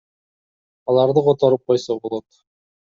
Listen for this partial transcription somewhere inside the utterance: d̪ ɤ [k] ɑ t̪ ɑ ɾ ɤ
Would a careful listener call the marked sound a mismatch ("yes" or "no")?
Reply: yes